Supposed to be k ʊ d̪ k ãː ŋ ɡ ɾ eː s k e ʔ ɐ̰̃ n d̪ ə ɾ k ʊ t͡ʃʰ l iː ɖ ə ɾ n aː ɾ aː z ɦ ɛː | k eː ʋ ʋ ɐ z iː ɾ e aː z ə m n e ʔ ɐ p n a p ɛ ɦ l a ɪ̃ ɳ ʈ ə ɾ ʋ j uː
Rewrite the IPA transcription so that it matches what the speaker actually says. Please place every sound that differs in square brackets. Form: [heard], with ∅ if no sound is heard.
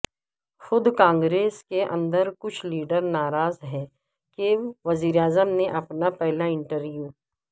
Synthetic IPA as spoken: [x] ʊ d̪ k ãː ŋ ɡ ɾ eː s k e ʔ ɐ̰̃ n d̪ ə ɾ k ʊ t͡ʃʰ l iː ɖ ə ɾ n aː ɾ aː z ɦ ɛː | k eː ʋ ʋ ɐ z iː ɾ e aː z ə m n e ʔ ɐ p n a p ɛ ɦ l a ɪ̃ ɳ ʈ ə ɾ ʋ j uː